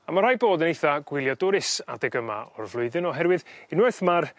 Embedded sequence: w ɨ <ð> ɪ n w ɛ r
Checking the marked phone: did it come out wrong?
no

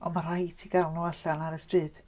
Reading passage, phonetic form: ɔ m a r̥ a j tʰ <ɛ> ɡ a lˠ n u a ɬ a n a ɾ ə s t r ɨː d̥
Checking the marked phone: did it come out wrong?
yes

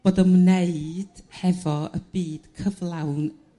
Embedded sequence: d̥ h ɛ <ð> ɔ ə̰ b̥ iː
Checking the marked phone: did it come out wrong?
yes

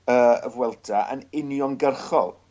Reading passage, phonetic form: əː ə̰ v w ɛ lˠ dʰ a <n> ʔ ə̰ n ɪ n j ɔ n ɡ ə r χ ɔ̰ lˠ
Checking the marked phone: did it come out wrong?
yes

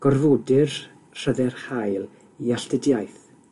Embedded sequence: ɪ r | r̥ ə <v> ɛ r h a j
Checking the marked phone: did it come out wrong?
yes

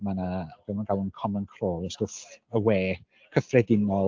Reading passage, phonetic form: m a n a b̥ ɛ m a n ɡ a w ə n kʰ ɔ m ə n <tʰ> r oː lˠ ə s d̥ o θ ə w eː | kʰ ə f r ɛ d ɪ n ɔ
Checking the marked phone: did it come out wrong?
yes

